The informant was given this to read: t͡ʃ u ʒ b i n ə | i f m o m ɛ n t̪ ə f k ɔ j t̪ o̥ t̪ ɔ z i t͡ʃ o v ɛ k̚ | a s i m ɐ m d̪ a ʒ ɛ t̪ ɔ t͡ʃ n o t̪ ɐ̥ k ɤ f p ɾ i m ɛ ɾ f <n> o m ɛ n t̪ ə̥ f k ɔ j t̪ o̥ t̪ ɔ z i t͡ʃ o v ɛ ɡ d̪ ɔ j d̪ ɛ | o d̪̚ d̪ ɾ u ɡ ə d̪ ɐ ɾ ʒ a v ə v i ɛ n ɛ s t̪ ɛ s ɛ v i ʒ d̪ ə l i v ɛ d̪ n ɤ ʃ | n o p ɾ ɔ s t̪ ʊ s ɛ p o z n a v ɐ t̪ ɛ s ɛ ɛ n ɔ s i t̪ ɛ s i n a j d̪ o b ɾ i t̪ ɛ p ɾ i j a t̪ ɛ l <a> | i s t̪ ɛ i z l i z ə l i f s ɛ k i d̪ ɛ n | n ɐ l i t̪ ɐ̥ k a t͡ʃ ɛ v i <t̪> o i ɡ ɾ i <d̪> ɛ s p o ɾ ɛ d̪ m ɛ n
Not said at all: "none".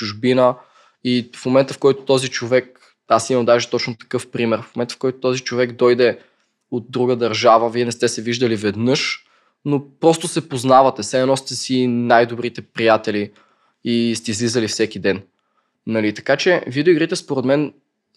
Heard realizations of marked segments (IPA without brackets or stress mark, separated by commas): m, i, d̪, t̪